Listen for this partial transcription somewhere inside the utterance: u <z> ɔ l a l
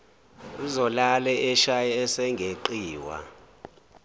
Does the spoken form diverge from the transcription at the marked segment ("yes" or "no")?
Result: no